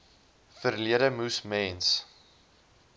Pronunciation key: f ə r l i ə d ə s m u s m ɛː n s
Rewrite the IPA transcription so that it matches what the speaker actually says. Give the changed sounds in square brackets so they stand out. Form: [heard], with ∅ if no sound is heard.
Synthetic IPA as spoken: f ə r l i ə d ə [∅] m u s m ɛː n s